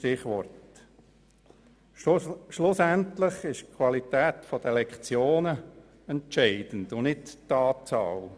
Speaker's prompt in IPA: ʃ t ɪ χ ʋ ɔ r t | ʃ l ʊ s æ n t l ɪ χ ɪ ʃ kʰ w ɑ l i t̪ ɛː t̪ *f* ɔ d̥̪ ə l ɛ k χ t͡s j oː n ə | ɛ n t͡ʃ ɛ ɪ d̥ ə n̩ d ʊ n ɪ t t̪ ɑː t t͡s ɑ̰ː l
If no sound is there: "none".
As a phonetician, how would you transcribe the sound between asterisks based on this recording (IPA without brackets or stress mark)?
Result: f